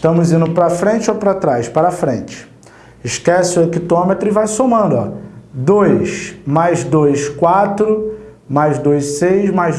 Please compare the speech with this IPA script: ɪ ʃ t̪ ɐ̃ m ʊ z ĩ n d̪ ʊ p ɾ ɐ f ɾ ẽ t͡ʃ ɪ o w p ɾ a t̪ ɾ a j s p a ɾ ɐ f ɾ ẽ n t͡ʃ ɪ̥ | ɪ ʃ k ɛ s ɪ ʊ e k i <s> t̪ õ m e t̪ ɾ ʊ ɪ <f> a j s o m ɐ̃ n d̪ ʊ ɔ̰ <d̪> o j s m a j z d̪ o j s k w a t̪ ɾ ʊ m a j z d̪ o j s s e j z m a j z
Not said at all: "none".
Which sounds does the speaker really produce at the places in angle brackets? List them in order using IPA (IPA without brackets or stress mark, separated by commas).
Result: none, v, d̪